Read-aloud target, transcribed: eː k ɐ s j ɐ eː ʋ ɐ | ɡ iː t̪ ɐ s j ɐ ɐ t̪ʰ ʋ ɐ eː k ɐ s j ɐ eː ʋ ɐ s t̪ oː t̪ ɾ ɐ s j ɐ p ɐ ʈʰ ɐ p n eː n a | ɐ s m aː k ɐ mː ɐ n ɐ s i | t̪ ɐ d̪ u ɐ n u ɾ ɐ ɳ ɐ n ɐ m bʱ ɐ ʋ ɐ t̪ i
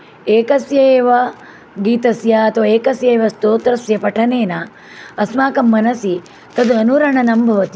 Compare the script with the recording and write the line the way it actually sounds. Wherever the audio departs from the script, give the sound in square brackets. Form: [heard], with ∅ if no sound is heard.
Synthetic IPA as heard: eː k ɐ s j ɐ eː ʋ ɐ | ɡ iː t̪ ɐ s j ɐ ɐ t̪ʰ ʋ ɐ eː k ɐ s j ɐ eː ʋ ɐ s t̪ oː t̪ ɾ ɐ s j ɐ p ɐ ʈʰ ɐ [∅] n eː n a | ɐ s m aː k ɐ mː ɐ n ɐ s i | t̪ ɐ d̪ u ɐ n u ɾ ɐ ɳ ɐ n ɐ m bʱ ɐ ʋ ɐ t̪ i